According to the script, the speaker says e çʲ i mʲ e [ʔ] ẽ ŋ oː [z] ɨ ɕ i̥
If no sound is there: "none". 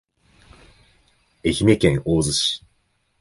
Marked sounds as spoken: k, z

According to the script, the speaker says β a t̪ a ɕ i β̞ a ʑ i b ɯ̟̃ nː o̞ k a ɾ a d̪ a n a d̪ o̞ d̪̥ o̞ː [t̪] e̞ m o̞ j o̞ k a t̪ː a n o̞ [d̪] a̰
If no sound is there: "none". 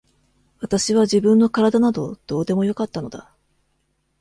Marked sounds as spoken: d̪, d̪

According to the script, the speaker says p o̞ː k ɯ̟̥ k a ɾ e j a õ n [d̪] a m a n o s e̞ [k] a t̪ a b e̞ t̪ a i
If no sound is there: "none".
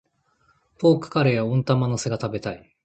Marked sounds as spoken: t̪, ɡ

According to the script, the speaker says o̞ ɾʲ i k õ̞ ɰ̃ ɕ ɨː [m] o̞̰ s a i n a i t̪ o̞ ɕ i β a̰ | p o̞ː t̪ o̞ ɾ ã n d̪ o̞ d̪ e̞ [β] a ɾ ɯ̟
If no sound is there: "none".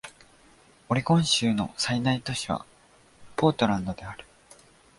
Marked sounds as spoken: n, none

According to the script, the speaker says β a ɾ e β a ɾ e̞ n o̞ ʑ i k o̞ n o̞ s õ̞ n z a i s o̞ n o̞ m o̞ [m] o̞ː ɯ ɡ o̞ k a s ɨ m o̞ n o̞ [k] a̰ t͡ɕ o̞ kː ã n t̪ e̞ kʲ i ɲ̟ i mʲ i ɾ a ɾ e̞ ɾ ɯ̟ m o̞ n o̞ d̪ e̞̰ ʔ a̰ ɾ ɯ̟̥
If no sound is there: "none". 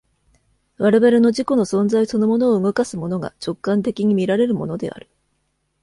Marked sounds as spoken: n, ɡ

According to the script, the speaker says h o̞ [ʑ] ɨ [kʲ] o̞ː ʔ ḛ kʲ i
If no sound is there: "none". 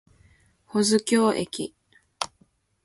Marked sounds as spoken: z, kʲ

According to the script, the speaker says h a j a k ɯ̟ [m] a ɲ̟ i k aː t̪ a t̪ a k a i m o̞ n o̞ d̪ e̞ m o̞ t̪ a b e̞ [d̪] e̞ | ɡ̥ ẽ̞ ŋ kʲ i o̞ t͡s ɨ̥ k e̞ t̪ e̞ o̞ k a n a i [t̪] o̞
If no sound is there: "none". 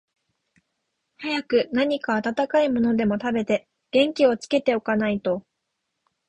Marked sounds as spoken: n, t̪, t̪

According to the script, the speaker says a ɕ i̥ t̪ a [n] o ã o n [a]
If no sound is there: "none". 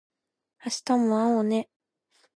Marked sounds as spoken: m, e

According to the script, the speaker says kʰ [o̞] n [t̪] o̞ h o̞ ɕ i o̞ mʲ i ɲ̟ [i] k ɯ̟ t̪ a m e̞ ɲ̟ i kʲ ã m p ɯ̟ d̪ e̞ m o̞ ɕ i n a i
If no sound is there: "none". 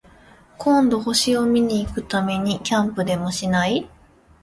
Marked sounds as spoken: õ̞, d̪, iː

